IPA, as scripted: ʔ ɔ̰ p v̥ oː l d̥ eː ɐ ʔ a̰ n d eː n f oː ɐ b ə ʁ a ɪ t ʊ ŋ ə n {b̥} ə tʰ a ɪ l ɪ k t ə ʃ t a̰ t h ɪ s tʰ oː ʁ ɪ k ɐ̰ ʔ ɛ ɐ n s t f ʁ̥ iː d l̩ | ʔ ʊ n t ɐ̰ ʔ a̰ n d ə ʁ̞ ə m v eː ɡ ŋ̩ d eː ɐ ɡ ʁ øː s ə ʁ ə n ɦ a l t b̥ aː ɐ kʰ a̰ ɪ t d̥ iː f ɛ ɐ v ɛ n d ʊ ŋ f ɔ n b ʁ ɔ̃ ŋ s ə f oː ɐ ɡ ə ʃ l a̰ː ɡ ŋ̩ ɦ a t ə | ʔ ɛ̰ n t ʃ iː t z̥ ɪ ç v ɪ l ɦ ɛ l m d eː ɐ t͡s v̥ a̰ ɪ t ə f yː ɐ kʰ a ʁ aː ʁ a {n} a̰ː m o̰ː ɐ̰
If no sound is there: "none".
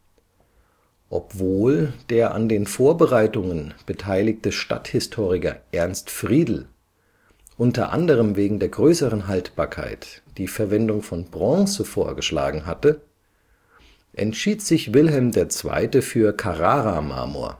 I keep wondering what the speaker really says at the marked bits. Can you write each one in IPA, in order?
b̥, m

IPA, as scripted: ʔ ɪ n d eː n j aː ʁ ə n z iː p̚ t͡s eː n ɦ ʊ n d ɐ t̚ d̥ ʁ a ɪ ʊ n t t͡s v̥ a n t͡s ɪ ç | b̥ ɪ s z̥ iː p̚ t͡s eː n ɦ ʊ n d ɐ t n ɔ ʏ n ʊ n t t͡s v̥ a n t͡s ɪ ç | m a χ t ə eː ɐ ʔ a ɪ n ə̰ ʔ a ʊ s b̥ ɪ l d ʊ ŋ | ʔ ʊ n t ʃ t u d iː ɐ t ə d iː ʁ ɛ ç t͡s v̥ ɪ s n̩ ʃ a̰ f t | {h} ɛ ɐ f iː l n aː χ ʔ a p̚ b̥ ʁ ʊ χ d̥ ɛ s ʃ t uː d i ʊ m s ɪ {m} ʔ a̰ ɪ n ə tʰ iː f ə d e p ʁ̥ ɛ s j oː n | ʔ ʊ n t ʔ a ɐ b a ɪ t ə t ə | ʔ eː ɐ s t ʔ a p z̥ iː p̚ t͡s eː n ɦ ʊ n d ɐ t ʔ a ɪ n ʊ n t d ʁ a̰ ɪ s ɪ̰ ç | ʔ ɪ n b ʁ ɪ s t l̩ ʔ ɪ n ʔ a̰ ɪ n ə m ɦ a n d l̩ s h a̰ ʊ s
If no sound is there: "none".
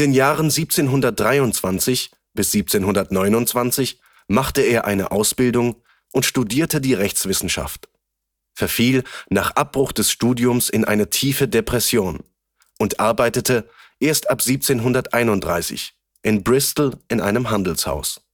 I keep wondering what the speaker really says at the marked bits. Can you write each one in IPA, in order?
f, n

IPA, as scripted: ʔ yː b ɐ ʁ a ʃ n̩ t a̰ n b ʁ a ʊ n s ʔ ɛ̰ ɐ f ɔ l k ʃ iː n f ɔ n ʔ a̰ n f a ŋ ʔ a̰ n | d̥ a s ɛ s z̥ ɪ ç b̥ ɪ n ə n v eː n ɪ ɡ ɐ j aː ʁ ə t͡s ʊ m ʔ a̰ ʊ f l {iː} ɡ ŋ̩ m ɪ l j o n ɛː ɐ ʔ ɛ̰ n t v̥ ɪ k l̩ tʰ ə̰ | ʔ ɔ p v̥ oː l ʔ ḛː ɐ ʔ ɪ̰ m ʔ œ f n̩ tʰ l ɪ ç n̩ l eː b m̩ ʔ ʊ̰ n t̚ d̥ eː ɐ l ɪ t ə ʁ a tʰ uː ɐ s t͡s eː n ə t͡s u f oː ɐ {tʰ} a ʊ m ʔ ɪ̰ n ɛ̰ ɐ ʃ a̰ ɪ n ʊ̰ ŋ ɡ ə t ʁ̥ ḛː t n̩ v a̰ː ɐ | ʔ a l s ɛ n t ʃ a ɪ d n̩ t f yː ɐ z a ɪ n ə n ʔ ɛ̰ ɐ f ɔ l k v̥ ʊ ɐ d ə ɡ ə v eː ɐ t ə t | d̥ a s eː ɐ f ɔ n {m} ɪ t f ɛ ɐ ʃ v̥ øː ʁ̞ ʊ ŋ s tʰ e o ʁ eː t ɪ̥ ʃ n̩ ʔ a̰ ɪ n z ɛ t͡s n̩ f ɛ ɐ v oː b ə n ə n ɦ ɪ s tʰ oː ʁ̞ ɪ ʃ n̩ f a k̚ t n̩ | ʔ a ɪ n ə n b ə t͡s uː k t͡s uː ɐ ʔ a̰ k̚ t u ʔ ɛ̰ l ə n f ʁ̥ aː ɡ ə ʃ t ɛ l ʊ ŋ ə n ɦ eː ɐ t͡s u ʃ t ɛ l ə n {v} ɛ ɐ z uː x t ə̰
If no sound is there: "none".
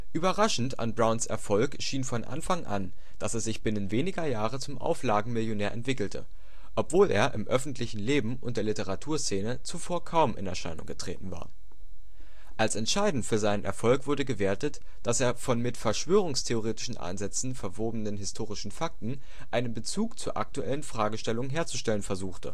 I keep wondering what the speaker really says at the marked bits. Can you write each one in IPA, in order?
aː, kʰ, m, f

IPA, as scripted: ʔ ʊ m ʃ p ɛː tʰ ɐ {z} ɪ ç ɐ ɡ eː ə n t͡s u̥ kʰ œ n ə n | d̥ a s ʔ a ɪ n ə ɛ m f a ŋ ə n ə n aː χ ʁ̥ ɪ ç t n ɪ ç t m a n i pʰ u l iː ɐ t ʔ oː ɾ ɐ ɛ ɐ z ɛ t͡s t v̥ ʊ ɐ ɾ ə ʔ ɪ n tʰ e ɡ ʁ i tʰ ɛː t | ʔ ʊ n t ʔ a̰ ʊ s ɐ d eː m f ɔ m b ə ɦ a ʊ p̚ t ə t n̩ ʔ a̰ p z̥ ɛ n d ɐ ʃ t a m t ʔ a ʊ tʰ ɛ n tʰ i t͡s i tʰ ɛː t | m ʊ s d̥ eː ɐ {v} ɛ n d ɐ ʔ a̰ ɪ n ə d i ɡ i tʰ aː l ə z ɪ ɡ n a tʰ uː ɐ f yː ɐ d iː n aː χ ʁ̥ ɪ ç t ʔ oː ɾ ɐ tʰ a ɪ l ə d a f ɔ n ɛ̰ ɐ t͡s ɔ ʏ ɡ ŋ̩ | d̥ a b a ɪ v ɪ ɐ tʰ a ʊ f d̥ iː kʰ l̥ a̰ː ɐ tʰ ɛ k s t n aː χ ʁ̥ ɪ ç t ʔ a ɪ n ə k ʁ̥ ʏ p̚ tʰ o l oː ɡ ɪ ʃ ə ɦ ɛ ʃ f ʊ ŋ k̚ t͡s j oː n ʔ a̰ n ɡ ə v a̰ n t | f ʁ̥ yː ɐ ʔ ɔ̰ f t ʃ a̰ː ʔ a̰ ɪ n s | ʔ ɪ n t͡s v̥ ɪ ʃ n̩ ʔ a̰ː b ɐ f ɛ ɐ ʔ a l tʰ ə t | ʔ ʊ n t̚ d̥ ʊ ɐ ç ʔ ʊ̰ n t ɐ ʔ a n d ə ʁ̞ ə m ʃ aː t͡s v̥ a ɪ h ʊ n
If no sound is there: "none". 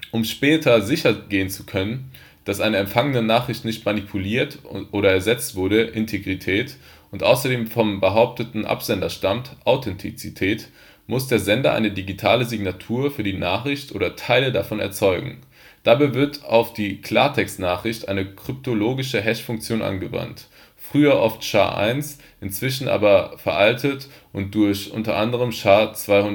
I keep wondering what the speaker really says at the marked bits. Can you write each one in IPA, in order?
z, z

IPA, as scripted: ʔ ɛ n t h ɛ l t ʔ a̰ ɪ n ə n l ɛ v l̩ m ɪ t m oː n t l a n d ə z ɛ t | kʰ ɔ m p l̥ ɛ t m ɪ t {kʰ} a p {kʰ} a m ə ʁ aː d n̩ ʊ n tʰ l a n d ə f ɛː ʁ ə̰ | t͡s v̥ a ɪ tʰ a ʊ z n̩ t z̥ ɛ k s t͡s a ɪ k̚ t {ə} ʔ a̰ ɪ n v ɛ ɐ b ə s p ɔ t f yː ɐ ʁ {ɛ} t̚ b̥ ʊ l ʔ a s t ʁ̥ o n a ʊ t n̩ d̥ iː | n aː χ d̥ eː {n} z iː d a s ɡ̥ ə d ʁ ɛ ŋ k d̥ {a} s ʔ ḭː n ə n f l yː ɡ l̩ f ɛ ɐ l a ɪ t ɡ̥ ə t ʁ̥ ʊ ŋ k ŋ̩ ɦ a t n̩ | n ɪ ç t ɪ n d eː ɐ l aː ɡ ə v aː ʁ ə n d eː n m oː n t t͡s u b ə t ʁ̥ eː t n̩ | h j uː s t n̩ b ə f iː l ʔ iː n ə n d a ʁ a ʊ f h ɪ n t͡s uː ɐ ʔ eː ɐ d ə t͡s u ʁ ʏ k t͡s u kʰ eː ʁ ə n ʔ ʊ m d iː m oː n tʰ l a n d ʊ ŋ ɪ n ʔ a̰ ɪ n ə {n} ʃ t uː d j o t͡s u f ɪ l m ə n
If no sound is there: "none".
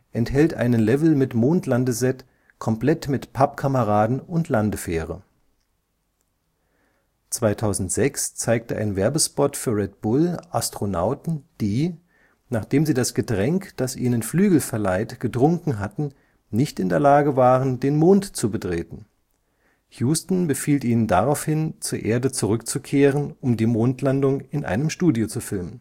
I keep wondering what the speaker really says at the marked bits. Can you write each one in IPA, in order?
pʰ, kʰ, ə, ɛ, m, a, m

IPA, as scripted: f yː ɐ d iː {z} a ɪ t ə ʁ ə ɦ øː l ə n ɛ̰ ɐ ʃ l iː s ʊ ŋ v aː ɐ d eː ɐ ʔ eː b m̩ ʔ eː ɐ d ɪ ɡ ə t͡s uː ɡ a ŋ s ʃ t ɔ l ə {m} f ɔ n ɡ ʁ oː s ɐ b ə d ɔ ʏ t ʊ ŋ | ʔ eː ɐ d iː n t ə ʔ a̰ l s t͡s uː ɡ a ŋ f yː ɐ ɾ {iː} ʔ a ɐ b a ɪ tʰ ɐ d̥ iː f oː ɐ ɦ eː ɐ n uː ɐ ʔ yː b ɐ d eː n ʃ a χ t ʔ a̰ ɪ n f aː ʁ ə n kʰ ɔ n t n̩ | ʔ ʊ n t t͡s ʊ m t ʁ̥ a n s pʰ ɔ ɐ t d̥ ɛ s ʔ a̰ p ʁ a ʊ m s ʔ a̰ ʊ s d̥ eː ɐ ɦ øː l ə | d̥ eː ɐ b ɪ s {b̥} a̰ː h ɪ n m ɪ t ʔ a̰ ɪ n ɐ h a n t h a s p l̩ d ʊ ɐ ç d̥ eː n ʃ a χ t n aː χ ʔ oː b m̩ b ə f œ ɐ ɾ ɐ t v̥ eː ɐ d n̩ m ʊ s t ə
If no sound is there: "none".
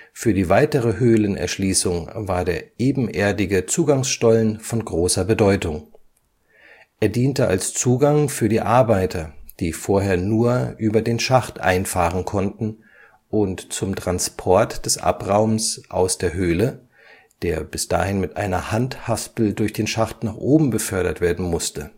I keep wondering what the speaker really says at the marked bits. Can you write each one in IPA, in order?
v, n, iː, d̥

